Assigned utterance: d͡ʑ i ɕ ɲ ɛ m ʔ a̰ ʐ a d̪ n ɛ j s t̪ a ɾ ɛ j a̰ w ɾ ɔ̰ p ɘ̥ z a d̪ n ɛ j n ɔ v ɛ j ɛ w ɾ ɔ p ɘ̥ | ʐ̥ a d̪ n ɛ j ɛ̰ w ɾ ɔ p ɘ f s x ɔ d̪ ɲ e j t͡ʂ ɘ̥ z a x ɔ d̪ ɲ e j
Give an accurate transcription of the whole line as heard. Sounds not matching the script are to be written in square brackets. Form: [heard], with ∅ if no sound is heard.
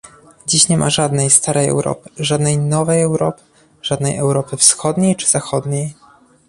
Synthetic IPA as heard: d͡ʑ i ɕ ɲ ɛ m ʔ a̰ ʐ a d̪ n ɛ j s t̪ a ɾ ɛ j [ɛ̰] w ɾ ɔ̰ p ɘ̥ [ʐ] a d̪ n ɛ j n ɔ v ɛ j ɛ w ɾ ɔ p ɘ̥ | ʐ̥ a d̪ n ɛ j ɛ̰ w ɾ ɔ p ɘ f s x ɔ d̪ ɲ e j t͡ʂ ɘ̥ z a x ɔ d̪ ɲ e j